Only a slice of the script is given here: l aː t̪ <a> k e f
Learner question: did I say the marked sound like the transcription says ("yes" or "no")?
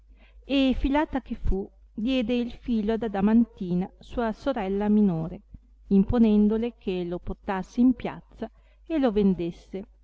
yes